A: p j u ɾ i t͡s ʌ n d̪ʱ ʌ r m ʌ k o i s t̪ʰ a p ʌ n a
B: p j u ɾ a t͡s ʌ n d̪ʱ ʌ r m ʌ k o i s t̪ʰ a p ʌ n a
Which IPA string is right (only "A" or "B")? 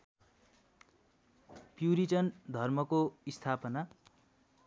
A